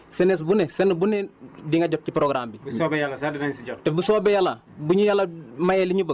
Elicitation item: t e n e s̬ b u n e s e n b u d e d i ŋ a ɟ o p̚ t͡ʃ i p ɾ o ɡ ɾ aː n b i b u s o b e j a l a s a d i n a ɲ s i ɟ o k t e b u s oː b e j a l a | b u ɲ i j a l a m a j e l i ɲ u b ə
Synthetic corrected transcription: s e n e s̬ b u n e s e n b u n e d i ŋ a ɟ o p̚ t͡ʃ i p ɾ o ɡ ɾ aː m b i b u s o b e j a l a s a d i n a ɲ s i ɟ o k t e b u s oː b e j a l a | b u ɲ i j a l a m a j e l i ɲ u b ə